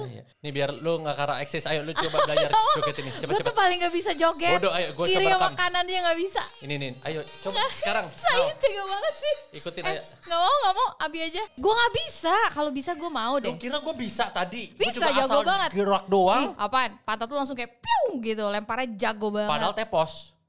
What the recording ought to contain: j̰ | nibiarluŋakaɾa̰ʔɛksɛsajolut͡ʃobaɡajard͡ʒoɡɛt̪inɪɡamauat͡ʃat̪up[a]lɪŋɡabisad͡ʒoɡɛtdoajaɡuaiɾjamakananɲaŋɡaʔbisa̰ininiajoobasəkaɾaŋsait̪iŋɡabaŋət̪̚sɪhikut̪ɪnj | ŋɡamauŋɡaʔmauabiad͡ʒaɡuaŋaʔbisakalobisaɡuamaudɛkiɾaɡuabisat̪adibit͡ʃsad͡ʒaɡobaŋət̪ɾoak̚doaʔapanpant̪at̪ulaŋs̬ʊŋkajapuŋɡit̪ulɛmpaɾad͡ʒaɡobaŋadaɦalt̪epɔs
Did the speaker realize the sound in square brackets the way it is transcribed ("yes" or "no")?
yes